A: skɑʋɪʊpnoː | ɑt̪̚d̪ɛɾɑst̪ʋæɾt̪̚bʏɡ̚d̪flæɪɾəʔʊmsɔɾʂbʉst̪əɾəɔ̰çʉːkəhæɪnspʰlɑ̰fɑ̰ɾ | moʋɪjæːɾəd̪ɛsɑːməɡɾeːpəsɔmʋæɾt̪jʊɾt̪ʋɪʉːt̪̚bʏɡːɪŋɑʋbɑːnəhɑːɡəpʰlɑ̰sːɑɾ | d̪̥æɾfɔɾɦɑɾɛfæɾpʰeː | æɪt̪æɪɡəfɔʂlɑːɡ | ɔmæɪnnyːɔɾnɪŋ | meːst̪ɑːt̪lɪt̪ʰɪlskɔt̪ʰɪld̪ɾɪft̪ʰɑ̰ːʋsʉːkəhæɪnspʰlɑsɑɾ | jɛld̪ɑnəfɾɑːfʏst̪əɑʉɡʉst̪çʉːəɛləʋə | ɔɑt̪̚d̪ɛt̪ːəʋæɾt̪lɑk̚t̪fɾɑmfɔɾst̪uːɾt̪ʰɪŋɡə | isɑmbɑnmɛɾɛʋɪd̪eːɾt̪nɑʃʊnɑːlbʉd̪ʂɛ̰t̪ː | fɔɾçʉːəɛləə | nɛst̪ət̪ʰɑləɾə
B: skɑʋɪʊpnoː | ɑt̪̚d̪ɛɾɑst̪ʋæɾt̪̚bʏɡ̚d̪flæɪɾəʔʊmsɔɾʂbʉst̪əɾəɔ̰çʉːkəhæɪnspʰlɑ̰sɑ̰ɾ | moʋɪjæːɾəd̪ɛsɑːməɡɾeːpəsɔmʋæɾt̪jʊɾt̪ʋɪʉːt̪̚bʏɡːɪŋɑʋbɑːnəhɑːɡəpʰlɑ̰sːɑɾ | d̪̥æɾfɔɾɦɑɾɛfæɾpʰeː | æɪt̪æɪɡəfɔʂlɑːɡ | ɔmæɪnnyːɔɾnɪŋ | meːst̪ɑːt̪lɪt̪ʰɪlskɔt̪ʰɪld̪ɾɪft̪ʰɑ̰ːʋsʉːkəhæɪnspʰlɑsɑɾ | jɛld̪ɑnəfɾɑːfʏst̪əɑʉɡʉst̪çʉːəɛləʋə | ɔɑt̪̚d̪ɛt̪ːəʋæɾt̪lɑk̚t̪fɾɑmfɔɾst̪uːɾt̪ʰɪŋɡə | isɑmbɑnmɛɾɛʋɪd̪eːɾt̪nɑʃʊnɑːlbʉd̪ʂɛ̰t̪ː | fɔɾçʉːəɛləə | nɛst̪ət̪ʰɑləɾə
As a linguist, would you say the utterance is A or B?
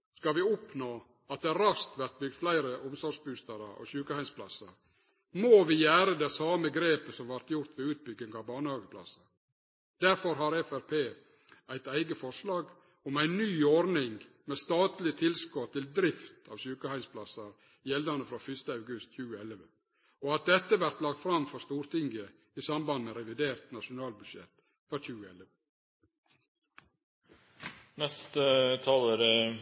B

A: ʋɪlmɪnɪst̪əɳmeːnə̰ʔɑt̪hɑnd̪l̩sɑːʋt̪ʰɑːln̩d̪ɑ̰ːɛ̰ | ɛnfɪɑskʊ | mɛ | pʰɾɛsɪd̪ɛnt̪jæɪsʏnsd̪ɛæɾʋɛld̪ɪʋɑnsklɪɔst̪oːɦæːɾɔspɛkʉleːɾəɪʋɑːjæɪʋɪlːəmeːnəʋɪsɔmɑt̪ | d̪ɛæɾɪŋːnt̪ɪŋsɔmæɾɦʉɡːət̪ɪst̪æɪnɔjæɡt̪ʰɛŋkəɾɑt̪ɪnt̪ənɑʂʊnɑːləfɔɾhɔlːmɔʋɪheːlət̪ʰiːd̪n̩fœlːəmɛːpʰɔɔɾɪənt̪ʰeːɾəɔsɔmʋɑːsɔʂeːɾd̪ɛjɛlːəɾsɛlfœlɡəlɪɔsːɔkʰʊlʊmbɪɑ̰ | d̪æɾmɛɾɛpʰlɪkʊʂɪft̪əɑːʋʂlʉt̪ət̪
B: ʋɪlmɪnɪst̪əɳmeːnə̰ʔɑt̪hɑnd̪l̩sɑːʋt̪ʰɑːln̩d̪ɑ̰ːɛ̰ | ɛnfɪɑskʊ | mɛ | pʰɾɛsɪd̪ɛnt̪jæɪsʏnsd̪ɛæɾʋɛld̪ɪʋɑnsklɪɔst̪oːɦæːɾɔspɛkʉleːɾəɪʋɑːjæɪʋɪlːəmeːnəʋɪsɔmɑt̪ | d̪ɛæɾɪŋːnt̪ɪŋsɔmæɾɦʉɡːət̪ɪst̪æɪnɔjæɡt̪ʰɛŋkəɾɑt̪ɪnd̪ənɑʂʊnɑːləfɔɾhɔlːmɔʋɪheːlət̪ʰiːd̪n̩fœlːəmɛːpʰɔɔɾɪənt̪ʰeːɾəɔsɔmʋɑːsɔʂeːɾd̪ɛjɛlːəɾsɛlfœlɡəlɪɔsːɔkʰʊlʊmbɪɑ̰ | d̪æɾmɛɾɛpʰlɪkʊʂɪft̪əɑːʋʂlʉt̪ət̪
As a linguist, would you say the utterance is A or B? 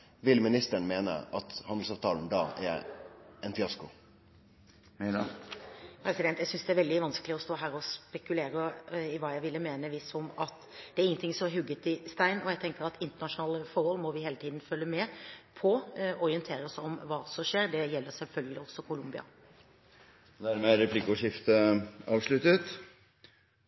A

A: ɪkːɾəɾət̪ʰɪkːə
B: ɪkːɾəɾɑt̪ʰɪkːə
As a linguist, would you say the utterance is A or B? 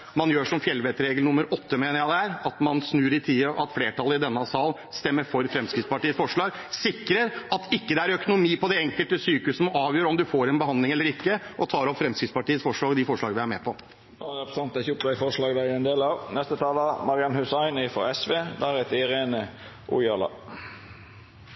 B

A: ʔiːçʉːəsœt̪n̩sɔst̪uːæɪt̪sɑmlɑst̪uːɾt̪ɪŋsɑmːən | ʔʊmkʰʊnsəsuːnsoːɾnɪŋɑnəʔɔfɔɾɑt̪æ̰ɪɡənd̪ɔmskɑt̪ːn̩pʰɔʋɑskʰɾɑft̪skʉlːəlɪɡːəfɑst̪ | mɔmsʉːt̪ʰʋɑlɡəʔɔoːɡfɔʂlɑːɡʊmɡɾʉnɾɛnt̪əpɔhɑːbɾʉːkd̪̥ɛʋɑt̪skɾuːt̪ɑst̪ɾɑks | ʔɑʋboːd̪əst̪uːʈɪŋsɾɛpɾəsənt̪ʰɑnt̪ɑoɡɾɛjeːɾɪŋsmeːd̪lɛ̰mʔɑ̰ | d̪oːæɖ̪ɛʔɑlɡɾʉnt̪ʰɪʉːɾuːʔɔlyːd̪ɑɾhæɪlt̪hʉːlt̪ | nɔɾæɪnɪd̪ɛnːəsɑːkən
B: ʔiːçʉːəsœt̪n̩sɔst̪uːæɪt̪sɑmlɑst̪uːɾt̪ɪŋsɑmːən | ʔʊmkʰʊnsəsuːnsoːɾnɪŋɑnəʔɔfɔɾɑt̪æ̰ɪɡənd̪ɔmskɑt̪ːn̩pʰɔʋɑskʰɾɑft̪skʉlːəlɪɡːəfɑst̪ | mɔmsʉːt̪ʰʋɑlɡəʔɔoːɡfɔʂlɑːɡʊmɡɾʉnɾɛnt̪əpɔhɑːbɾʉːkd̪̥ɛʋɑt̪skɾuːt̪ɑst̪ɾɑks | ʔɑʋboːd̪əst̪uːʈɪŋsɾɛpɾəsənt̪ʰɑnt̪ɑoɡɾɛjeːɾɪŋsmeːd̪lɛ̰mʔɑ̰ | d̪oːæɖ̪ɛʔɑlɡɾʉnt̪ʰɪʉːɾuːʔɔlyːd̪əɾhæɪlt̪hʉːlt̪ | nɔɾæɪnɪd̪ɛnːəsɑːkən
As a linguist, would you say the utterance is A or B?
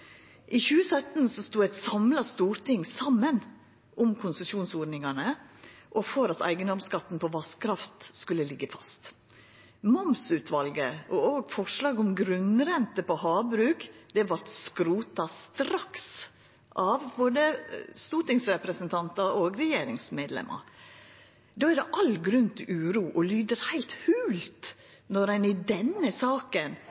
B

